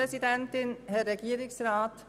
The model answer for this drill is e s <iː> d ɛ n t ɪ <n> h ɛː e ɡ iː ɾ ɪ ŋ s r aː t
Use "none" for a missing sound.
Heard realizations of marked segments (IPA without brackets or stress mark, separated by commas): i, n